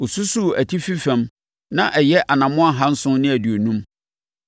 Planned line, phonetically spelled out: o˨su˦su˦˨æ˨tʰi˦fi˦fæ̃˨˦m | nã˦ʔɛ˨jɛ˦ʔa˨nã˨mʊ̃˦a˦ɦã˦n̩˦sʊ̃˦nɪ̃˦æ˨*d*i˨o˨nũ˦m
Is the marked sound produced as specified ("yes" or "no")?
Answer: yes